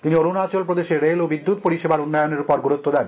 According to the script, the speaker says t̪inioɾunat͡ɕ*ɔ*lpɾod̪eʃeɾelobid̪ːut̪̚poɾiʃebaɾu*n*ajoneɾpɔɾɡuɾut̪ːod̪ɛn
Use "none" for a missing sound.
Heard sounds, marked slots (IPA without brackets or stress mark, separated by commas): o, nː